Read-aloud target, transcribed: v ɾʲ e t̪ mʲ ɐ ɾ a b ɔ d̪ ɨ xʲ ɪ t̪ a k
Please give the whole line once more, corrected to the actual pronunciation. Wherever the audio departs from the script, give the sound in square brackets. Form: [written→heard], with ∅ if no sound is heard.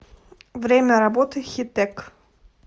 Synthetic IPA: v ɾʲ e [t̪→∅] mʲ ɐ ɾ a b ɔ [d̪→t̪] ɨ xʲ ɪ t̪ [a→ɛ] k